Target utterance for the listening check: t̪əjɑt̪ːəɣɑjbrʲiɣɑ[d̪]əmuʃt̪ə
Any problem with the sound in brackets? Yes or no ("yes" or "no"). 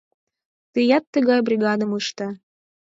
no